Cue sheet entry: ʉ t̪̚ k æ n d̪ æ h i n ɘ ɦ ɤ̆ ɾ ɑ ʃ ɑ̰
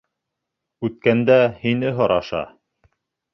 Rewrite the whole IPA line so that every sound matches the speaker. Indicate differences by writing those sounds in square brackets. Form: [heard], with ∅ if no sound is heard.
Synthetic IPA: ʉ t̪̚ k æ n d̪ æ h i n ɘ ɦ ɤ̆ ɾ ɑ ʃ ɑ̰